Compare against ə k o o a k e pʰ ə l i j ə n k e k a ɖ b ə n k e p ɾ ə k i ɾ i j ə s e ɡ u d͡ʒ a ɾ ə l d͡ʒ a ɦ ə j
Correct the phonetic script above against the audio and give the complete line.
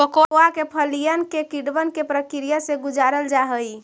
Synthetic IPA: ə k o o a k e pʰ ə l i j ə n k e k i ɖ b ə n k e p ɾ ə k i ɾ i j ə s e ɡ u d͡ʒ a ɾ ə l d͡ʒ a ɦ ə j